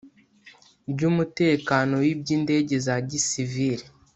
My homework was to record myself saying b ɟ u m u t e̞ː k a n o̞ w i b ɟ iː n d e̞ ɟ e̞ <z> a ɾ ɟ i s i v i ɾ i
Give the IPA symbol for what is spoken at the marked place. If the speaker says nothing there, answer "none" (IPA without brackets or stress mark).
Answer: z